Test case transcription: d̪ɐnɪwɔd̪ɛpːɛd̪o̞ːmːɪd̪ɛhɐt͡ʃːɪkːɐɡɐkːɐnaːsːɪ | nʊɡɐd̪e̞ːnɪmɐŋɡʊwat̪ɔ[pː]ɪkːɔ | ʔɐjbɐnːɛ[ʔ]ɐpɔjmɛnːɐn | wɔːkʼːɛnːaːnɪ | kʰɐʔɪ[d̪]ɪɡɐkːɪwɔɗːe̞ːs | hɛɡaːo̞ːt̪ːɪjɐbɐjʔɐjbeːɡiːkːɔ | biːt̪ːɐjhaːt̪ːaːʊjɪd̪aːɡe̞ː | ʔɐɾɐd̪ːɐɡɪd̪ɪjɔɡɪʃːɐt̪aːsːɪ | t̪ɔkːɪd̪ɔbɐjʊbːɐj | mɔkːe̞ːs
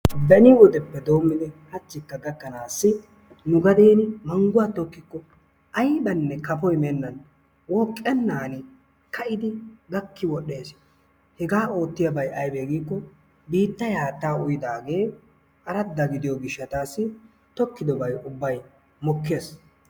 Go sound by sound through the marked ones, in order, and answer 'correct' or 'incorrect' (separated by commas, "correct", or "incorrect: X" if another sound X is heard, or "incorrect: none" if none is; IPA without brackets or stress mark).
incorrect: kː, incorrect: k, correct